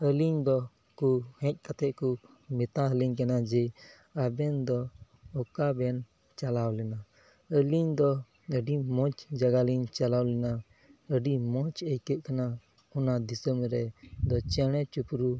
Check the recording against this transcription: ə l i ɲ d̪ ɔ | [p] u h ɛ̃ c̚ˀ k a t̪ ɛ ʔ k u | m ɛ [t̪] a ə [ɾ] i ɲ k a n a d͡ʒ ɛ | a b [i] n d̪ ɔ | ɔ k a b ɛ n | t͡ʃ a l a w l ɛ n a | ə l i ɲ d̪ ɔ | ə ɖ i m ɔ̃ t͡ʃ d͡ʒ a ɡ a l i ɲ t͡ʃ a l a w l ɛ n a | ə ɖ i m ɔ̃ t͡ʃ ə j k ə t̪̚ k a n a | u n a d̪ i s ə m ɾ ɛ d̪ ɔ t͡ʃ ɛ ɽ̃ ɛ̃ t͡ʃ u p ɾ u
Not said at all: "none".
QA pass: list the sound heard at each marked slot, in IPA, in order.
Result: k, t̪, l, ɛ

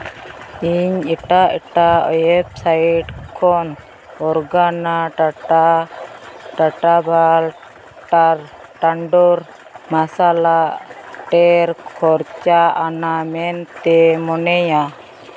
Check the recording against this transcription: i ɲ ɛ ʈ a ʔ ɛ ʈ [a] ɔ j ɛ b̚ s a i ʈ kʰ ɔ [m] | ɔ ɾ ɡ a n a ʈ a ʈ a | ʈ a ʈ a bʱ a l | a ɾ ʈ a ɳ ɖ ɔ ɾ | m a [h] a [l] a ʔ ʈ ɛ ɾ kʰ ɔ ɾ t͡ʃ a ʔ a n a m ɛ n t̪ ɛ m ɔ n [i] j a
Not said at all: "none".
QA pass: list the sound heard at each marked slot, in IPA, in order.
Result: a, n, s, l, ɛ

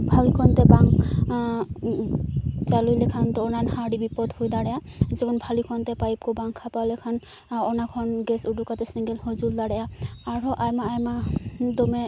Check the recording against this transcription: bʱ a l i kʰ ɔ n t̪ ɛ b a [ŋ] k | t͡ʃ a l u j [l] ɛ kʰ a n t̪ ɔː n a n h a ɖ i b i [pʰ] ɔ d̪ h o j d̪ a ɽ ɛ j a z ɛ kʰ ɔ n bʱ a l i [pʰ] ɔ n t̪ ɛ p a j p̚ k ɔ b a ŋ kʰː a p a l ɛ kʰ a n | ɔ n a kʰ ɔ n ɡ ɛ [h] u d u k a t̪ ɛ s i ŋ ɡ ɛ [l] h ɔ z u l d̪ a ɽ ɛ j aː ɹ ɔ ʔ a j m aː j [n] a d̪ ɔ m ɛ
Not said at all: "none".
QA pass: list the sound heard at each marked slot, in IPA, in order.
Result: ŋ, l, p, kʰ, s, l, m

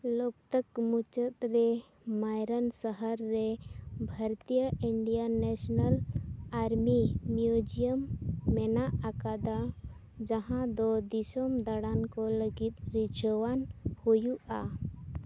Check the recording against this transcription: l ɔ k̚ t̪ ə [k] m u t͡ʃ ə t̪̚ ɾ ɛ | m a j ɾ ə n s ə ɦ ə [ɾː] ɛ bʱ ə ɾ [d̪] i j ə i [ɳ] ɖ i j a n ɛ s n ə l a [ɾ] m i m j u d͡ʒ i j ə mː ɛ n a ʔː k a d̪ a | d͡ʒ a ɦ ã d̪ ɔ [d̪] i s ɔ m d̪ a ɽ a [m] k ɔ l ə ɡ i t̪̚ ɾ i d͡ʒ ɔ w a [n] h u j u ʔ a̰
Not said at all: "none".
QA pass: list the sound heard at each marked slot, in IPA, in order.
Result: k, ɾː, t̪, ɳ, ɾ, d̪, n, n

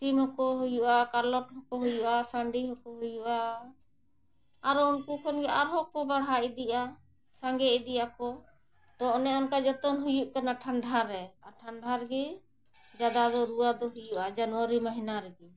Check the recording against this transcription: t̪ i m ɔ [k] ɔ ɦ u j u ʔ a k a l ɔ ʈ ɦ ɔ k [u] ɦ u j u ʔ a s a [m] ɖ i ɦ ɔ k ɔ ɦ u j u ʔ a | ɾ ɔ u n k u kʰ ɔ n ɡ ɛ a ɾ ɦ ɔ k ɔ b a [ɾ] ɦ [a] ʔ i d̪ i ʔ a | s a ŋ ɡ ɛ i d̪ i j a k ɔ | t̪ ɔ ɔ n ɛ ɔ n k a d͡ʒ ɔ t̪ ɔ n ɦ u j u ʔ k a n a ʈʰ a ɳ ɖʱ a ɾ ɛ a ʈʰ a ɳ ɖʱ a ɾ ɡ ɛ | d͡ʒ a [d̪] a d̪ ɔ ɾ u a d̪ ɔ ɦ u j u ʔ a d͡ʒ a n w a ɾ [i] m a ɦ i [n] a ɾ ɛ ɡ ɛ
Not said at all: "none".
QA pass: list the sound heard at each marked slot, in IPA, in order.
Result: k, ɔ, ɳ, ɽ, a, d̪, i, n

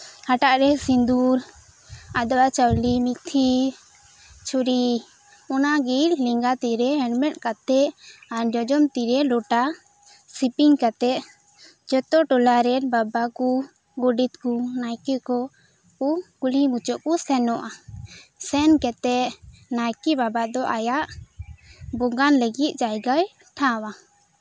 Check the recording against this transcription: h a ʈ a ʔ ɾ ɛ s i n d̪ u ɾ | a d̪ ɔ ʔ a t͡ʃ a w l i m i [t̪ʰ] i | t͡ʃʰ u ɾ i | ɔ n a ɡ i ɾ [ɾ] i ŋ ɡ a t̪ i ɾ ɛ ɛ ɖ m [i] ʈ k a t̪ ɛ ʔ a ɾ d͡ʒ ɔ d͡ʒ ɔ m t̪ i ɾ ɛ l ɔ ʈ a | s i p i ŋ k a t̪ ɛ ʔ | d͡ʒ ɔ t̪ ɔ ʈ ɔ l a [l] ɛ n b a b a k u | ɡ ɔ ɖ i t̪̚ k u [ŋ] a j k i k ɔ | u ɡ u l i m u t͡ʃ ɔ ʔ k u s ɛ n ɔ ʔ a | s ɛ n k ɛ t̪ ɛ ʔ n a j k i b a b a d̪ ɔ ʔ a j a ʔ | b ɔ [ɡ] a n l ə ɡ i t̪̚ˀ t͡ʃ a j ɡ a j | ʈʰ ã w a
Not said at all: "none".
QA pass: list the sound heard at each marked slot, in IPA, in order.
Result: t̪ʰ, l, ɛ, ɾ, n, ɡ

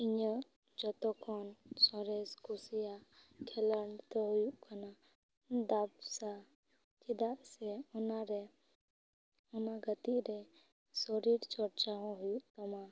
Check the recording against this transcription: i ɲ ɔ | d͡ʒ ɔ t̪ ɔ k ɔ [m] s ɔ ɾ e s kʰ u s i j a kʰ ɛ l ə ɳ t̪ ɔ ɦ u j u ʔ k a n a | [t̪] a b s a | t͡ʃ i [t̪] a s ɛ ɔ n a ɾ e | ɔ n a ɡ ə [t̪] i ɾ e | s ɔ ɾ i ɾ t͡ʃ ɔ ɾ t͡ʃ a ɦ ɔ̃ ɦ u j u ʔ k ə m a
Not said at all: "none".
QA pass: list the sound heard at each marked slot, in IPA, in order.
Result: n, d̪, d̪, t̪

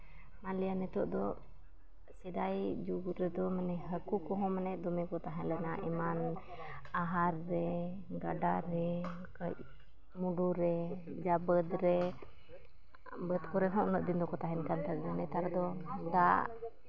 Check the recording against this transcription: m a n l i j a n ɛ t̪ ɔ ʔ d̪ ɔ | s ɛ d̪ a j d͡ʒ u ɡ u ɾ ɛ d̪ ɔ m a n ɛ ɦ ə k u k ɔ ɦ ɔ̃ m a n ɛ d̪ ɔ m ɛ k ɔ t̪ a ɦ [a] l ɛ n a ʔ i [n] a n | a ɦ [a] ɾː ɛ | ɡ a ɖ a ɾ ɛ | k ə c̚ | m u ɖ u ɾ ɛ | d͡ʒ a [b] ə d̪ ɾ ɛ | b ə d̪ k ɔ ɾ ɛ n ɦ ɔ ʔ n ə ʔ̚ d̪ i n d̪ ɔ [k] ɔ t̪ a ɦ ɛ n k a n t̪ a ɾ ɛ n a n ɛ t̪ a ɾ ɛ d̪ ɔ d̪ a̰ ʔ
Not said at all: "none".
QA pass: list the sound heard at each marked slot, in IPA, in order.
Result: ɛ, m, a, b, k

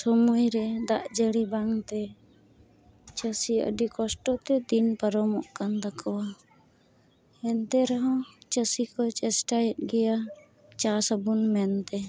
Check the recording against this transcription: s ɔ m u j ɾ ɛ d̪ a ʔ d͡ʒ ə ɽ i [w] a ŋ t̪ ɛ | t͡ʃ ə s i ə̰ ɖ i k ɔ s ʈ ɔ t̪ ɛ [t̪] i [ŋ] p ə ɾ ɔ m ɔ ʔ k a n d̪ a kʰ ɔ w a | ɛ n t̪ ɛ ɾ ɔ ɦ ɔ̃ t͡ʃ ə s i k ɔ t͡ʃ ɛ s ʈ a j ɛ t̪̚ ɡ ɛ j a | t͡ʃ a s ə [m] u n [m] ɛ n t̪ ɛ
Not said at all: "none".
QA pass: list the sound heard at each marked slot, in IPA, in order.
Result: b, d̪, n, b, m

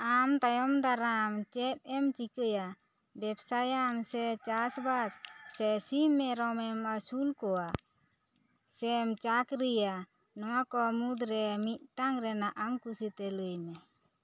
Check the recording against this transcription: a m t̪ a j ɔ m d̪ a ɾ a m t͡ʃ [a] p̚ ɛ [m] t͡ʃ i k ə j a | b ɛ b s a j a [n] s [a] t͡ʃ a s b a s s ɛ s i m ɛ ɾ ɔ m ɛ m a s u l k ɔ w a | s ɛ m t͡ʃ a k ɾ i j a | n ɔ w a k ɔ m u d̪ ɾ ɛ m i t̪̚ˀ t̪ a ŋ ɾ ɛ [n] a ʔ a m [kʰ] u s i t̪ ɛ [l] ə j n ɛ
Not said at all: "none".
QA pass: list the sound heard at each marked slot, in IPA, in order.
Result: ɛ, m, m, ɛ, n, k, l

